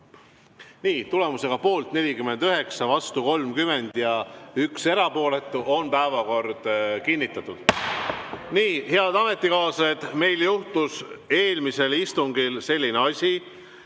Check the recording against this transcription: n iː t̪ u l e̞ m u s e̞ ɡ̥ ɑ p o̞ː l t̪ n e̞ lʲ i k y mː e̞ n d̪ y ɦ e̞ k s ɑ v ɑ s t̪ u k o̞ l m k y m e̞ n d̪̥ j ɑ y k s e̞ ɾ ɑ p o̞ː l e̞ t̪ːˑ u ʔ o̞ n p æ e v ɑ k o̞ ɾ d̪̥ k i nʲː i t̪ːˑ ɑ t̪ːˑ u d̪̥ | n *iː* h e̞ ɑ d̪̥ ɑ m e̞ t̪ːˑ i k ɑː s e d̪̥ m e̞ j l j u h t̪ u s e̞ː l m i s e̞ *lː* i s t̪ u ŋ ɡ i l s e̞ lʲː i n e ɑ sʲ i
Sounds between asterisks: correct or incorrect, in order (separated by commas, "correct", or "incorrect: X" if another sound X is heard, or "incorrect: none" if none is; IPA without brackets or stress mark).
correct, incorrect: l